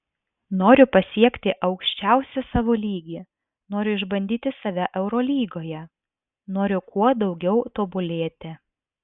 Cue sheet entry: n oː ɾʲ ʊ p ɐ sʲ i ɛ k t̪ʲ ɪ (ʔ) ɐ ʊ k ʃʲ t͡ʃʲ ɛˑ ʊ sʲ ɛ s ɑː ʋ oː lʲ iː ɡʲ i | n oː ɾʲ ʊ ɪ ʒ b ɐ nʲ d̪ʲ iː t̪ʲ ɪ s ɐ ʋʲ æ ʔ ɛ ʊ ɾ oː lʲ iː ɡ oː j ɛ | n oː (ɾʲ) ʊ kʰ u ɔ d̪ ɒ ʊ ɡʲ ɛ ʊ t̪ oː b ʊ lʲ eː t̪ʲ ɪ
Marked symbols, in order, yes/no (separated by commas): yes, yes